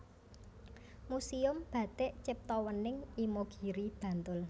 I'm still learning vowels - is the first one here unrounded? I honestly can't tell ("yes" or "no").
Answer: no